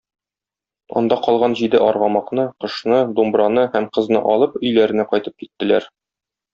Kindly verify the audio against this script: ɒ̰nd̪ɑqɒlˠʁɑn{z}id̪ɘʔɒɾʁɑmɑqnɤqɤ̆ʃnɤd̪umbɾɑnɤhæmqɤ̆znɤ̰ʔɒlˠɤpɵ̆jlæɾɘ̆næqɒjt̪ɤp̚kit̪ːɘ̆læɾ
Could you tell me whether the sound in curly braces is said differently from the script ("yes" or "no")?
yes